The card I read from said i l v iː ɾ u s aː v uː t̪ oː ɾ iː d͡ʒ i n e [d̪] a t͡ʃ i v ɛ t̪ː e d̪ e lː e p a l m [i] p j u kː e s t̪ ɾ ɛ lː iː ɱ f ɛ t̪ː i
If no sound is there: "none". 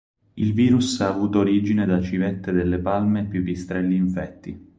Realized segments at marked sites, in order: d̪, e

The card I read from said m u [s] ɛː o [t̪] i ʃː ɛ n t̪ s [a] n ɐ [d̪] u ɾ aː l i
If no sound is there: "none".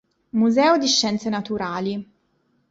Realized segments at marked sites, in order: z, d̪, e, t̪

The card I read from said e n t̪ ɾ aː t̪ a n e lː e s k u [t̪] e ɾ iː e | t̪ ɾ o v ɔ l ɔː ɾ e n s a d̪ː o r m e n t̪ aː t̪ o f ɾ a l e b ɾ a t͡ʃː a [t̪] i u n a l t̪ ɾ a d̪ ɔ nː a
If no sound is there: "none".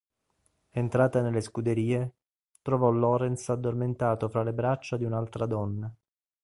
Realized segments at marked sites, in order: d̪, d̪

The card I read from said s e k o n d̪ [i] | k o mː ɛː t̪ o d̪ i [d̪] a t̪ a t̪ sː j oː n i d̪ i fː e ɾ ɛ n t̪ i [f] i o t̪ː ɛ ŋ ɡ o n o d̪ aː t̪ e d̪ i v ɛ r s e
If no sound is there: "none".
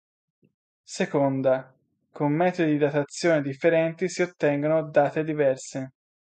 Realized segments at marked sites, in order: a, d̪, s

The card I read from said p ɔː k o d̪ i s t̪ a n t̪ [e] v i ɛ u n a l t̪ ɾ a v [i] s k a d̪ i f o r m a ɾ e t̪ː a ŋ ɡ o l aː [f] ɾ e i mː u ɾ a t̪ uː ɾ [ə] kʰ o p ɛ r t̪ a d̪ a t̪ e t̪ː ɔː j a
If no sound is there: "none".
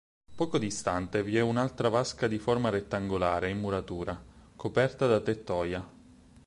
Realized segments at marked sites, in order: e, a, none, a

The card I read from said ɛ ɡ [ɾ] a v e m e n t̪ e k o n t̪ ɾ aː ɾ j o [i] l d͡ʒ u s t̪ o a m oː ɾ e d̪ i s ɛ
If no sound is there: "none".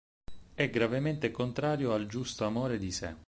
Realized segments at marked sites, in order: ɾ, a

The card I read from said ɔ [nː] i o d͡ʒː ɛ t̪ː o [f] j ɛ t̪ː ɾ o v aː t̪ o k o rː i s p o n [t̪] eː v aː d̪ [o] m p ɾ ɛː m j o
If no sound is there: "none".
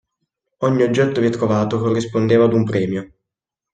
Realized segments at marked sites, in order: ɲː, v, d̪, u

